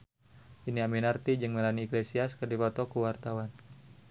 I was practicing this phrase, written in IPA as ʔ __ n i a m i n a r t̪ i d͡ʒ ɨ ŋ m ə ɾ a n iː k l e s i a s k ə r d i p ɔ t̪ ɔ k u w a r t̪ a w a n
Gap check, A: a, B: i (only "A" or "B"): B